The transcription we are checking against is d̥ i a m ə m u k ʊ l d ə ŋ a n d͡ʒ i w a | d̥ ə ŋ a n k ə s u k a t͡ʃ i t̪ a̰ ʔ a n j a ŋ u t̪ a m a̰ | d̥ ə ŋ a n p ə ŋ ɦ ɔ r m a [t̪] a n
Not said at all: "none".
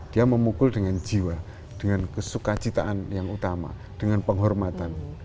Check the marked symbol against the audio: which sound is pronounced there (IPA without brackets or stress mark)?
t̪